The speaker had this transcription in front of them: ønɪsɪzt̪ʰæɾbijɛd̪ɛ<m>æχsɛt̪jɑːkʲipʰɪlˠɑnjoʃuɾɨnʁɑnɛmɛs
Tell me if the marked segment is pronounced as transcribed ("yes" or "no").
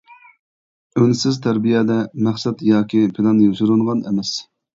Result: yes